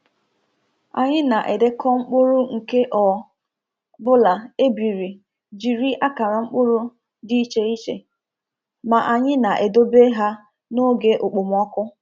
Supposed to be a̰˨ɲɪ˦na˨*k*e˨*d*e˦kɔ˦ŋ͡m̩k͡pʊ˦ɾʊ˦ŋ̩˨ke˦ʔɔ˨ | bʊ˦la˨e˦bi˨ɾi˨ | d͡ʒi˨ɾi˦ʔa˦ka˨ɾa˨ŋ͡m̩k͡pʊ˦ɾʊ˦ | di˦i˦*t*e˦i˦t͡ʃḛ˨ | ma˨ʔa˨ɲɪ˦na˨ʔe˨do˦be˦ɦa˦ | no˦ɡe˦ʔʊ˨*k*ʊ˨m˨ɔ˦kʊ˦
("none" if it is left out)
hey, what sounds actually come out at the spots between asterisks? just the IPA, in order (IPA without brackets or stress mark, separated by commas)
ʔ, d, t͡ʃ, k͡p